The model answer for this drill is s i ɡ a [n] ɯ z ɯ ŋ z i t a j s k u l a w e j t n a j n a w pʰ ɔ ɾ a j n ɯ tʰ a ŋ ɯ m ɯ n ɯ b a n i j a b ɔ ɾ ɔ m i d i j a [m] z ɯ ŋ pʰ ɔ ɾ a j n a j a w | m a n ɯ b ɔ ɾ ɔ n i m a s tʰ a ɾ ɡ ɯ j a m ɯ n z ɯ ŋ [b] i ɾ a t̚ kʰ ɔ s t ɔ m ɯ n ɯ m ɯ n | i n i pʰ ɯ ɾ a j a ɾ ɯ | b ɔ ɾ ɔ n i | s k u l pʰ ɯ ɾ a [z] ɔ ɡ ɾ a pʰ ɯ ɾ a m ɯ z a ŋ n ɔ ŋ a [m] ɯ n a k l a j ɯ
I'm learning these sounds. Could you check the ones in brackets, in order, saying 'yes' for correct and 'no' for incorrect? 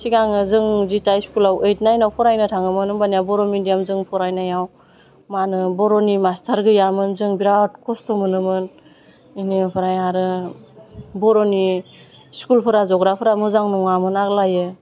no, yes, yes, yes, yes

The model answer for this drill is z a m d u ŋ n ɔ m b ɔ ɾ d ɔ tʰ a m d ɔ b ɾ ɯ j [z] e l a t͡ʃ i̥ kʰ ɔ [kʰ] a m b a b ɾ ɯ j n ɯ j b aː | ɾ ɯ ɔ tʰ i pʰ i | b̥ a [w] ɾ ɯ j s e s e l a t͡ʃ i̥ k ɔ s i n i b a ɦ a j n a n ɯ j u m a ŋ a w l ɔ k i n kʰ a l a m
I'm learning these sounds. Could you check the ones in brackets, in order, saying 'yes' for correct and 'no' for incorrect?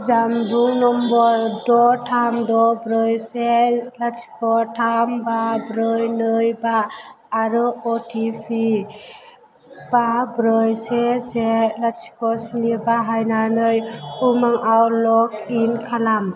no, no, no

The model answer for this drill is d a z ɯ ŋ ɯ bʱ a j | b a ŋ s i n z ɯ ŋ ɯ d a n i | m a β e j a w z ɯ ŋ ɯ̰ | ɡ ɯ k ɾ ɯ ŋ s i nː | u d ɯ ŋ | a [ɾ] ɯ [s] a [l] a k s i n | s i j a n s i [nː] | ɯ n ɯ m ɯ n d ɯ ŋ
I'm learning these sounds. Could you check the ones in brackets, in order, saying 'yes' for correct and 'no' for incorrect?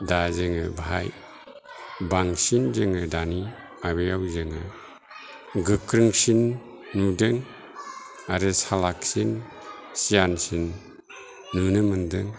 yes, yes, yes, yes

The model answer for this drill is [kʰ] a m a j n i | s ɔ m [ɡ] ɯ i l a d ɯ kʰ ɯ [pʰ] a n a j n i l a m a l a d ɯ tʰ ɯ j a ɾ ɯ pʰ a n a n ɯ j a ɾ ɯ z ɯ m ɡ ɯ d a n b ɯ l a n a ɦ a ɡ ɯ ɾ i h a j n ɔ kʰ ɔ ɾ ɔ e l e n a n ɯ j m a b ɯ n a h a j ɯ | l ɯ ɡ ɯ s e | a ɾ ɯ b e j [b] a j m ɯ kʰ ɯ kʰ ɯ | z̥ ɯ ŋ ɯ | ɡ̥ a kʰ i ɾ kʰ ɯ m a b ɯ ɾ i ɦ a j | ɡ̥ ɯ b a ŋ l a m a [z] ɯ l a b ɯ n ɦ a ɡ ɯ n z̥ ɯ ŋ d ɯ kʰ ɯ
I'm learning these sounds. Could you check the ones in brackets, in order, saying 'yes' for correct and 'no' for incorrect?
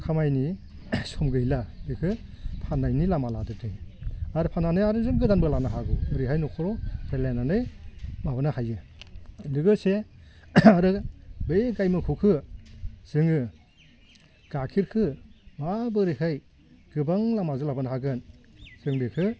yes, yes, yes, no, yes

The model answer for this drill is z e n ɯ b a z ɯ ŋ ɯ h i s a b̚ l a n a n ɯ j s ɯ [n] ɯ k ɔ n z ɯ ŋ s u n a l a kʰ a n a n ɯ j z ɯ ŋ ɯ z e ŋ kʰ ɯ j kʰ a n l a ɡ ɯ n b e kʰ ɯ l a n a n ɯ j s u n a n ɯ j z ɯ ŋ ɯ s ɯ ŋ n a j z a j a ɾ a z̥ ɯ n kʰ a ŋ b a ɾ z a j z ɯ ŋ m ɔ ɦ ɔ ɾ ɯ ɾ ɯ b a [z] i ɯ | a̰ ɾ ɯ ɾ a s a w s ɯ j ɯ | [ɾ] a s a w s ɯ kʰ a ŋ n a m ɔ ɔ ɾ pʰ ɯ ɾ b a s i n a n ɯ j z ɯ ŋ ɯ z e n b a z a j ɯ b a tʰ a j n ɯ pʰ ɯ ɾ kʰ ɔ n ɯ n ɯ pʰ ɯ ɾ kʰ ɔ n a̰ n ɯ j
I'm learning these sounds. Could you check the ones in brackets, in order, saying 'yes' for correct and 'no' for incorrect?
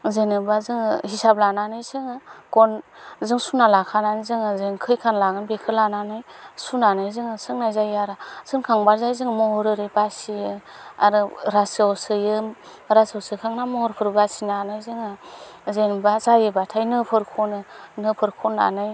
no, no, yes

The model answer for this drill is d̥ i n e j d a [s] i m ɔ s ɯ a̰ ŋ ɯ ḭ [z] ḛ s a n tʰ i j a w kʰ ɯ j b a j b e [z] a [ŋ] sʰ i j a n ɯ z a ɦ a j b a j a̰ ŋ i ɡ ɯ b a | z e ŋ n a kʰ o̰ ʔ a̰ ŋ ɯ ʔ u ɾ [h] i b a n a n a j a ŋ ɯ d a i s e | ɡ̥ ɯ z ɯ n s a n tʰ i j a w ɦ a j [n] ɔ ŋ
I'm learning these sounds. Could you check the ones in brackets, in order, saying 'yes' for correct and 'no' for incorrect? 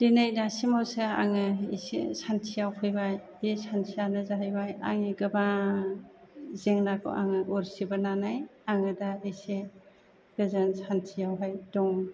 yes, no, no, no, no, no

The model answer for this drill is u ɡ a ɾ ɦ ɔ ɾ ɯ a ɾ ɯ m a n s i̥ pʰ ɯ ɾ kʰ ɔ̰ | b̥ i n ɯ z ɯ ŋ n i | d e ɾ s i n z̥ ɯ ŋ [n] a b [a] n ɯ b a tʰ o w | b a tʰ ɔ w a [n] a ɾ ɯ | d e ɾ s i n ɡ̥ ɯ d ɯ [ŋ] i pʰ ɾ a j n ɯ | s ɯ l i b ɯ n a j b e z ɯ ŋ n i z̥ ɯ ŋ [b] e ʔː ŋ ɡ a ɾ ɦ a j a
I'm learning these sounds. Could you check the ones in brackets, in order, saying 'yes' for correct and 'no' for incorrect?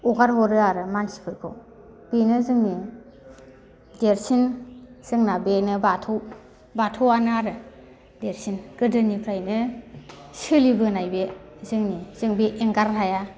yes, no, yes, no, yes

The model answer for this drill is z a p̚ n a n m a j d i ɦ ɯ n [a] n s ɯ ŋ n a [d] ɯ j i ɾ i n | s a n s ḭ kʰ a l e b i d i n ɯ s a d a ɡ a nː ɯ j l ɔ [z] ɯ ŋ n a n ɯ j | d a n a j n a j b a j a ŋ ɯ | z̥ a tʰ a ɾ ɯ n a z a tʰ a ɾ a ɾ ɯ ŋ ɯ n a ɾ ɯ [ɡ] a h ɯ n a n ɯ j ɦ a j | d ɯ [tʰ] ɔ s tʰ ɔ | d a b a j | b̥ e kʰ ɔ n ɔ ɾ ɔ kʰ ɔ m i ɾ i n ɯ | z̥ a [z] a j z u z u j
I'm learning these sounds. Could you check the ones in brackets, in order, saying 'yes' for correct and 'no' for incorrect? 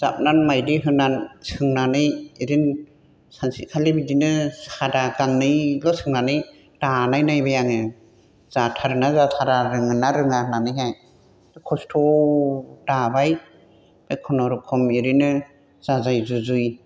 yes, no, no, no, no, yes

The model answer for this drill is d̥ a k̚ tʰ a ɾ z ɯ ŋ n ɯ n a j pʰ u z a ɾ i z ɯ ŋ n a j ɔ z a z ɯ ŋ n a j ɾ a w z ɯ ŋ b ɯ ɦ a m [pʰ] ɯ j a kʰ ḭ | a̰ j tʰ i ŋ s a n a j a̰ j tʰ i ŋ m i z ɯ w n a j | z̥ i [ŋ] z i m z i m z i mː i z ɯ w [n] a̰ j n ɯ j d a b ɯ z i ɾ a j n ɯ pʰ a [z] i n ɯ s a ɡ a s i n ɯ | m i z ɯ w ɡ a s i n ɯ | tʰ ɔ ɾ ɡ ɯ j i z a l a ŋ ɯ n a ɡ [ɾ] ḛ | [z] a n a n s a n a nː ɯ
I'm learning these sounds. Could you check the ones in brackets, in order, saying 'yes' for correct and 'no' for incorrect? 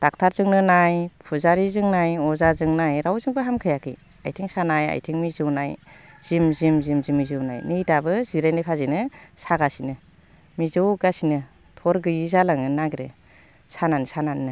no, no, yes, yes, yes, no

